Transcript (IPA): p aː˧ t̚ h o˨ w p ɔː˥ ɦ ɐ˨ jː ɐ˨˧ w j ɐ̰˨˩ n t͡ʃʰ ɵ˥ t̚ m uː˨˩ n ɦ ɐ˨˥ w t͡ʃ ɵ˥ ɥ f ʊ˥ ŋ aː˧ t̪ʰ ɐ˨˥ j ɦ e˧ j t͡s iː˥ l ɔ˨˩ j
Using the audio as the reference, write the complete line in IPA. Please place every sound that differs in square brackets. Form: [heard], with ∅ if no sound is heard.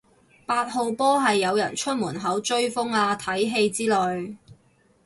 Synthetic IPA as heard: p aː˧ t̚ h o˨ w p ɔː˥ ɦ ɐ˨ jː ɐ˨˧ w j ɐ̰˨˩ n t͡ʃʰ ɵ˥ t̚ m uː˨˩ n ɦ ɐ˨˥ w t͡ʃ ɵ˥ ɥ f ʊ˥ ŋ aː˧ t̪ʰ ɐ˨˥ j ɦ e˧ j t͡s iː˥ l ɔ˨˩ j